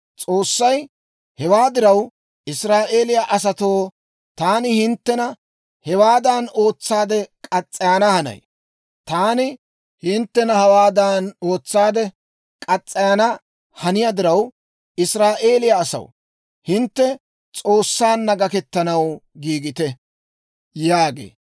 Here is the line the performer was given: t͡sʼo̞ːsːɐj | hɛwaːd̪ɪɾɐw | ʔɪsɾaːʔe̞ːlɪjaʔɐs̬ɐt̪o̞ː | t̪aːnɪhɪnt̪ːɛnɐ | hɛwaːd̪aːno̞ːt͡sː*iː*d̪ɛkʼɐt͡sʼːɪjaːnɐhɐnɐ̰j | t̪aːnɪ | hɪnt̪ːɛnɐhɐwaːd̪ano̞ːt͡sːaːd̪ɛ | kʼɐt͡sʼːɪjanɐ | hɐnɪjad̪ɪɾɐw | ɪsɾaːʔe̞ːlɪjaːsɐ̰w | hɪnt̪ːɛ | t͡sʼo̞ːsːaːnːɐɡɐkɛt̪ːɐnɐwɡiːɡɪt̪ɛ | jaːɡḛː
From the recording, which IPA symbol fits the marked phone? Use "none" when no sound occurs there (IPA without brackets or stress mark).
aː